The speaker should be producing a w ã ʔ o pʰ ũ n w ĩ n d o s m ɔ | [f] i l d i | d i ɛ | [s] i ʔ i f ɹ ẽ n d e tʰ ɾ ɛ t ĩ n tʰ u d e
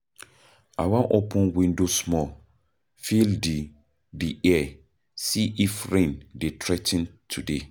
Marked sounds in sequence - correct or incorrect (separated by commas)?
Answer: correct, correct